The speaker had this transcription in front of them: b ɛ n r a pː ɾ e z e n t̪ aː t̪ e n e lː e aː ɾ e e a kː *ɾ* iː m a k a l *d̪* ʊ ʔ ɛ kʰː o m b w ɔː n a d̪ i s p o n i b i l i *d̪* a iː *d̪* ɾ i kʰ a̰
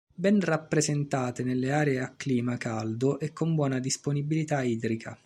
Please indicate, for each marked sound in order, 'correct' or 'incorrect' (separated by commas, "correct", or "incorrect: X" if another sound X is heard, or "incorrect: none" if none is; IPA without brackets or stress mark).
incorrect: l, correct, incorrect: t̪, correct